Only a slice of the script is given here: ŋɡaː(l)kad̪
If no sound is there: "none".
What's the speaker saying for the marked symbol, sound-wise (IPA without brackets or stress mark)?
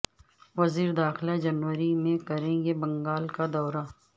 l